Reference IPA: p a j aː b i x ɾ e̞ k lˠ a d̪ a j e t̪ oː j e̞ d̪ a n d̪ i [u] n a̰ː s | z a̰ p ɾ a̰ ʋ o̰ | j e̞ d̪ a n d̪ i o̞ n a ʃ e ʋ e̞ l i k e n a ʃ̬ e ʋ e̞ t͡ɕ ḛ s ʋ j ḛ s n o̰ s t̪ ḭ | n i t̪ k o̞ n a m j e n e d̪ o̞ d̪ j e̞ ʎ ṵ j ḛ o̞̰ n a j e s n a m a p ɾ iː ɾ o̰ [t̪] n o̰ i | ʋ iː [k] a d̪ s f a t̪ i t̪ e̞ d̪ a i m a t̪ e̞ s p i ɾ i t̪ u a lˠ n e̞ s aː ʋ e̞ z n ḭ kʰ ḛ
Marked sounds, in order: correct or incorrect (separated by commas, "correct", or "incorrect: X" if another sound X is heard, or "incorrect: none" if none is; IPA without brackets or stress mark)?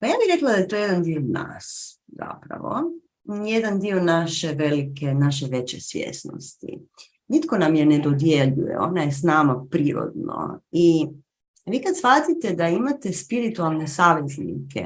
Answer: incorrect: o, incorrect: d̪, correct